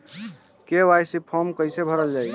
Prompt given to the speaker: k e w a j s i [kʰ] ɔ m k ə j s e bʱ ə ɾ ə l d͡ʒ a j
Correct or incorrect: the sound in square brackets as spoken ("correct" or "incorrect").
incorrect